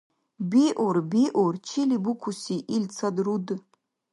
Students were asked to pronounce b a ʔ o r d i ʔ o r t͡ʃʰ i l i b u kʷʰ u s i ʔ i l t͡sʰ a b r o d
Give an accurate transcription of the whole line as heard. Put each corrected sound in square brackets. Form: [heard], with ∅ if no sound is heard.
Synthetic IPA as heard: b [i] ʔ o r [b] i ʔ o r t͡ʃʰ i l i b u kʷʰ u s i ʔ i l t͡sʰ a [d] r [u] d